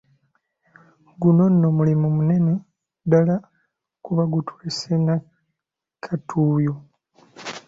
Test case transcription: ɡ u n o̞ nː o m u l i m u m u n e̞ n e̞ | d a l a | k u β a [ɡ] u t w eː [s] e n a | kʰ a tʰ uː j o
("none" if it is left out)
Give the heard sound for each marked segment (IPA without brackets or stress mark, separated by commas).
ɡ, s